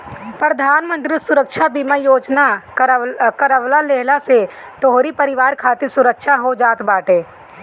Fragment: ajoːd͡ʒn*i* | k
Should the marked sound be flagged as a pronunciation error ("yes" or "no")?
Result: yes